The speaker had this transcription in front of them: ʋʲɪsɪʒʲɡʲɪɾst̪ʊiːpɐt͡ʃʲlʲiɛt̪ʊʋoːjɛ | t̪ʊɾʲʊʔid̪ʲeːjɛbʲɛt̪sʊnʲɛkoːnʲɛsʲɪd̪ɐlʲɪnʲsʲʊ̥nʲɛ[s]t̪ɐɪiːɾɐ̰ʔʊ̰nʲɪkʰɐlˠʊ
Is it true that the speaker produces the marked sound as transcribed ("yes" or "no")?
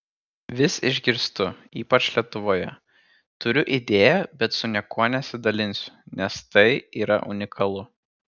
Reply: yes